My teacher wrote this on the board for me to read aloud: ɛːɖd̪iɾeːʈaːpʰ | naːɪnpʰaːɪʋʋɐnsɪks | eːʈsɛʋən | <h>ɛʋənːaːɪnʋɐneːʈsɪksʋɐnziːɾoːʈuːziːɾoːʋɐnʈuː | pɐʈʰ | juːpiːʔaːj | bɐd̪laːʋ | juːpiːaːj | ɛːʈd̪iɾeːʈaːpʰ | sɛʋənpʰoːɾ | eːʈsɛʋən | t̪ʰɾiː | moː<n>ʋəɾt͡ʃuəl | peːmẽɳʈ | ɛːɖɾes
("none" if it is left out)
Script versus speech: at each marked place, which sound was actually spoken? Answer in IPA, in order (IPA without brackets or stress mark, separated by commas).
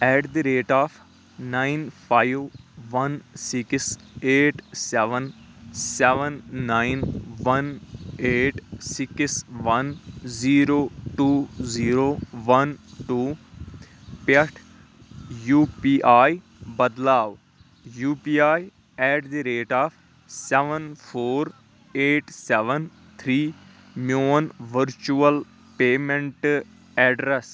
s, n